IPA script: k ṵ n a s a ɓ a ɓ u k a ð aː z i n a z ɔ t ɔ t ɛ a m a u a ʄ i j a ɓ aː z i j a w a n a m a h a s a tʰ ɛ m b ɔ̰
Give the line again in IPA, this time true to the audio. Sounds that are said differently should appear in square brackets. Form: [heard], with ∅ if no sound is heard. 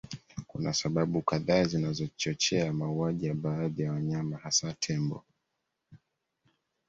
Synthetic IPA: k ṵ n a s a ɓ a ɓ u k a ð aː z i n a z ɔ [t͡ʃ] ɔ [t͡ʃ] ɛ a m a u a ʄ i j a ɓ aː [ð] i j a w a [ɲ] a m a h a s a tʰ ɛ m b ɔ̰